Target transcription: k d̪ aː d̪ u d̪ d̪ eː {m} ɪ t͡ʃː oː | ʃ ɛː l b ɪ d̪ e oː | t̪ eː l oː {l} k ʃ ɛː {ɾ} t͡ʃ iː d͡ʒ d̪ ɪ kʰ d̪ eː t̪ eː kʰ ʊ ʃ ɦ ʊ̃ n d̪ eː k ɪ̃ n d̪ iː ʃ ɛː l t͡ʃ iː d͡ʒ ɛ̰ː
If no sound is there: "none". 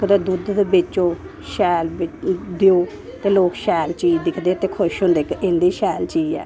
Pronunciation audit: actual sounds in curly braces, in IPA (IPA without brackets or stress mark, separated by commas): b, none, l